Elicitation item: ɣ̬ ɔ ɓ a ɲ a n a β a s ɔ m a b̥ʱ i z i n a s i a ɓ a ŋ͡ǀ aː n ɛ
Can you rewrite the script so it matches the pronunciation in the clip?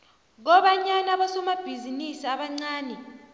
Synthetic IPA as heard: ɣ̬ ɔ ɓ a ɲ a n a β a s ɔ m a b̥ʱ i z i n i s i a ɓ a ŋ͡ǀ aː n ɛ